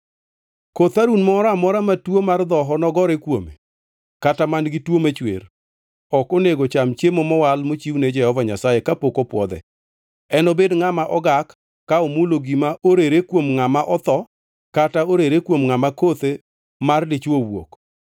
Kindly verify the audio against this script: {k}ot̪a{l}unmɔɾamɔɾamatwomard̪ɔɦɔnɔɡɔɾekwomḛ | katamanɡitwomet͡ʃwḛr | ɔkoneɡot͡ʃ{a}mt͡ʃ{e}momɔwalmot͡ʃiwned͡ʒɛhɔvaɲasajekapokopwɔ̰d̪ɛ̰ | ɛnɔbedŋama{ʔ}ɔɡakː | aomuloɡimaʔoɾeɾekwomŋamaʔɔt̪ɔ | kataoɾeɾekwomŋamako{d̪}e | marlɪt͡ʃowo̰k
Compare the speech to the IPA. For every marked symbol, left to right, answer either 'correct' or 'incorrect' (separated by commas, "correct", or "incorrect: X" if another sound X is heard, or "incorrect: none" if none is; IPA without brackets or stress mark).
correct, incorrect: ɾ, correct, correct, correct, incorrect: t̪